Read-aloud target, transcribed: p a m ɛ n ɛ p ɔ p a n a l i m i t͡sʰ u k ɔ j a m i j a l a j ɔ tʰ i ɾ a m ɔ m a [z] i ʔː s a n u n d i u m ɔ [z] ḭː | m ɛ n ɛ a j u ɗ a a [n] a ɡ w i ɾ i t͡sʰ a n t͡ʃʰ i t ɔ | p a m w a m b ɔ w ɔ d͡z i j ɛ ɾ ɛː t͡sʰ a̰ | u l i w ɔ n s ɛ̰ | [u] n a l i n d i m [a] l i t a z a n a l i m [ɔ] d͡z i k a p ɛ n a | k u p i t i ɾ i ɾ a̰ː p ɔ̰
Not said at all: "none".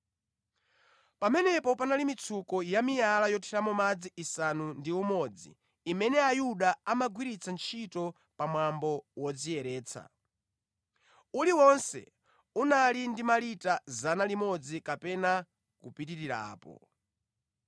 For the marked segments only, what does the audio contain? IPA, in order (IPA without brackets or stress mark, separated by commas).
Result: d͡z, d͡z, m, u, a, ɔ